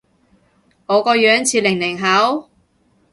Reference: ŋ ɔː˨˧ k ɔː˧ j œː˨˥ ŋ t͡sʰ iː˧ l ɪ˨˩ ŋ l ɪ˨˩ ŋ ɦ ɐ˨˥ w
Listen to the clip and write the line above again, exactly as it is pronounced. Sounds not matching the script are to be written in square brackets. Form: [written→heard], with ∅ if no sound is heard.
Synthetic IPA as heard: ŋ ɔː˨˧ k ɔː˧ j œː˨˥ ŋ t͡sʰ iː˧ l ɪ˨˩ ŋ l ɪ˨˩ ŋ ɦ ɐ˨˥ w